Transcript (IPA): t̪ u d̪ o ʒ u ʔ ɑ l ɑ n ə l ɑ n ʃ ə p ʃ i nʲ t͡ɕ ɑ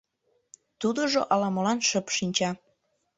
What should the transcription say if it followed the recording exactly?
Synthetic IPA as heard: t̪ u d̪ o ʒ o ʔ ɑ l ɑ m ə l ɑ n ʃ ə p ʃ i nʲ t͡ɕ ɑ

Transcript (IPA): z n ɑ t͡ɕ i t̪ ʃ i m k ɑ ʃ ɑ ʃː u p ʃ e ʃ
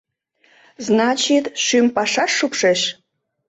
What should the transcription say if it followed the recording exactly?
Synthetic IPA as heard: z n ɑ t͡ɕ i t̪ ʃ y m p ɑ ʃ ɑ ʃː u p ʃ e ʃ

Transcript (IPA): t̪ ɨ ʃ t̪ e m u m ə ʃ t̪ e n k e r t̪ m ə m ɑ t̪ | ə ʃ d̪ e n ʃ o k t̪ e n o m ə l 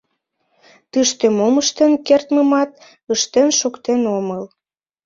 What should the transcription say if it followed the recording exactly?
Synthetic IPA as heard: t̪ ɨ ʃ t̪ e m o m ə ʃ t̪ e n k e r t̪ m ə m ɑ t̪ | ə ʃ t̪ e n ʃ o k t̪ e n o m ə l

